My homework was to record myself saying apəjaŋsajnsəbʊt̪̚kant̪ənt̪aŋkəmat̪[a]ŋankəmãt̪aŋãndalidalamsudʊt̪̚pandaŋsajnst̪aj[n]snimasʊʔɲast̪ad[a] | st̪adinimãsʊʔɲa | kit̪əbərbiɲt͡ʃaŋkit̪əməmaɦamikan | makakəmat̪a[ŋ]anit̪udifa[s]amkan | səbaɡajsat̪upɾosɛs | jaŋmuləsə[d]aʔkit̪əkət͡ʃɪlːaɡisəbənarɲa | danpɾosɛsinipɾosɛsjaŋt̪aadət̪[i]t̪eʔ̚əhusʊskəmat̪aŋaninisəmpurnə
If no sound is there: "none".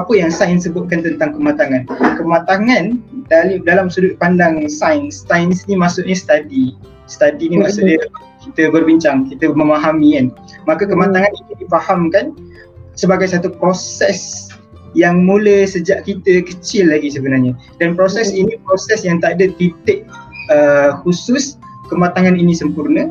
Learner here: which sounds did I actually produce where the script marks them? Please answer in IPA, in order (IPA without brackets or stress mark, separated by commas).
a, n, i, ŋ, h, d͡ʒ, i